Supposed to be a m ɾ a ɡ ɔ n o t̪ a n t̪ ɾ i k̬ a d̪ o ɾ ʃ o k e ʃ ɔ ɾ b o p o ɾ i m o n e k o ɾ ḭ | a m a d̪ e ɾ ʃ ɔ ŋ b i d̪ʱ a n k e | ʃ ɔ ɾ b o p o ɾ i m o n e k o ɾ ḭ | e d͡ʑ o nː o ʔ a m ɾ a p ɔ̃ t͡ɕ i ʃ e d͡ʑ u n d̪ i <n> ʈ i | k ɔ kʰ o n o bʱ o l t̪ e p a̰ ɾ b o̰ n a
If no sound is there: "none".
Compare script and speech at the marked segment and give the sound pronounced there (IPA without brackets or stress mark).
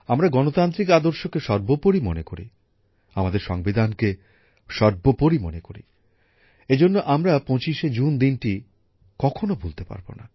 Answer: n